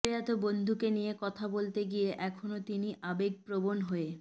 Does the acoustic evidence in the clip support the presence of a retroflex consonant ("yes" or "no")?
no